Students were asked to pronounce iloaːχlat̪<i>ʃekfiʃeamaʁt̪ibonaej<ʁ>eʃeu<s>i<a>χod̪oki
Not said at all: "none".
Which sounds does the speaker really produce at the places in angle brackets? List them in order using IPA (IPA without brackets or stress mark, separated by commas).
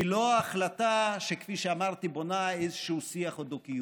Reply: a, z, s, a